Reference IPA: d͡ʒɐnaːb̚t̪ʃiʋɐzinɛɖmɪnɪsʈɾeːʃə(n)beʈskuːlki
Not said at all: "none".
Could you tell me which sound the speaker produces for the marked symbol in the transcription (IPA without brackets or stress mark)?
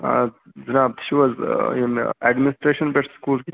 n